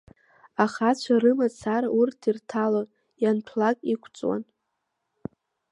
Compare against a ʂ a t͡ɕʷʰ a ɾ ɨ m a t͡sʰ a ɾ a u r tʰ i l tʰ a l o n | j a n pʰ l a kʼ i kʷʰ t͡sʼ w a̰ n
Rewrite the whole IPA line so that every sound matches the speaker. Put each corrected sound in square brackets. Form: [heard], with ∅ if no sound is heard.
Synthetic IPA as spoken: a [χ] a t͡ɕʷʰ a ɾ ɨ m a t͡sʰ a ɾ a u r tʰ i [r] tʰ a l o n | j a n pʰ l a kʼ i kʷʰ t͡sʼ w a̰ n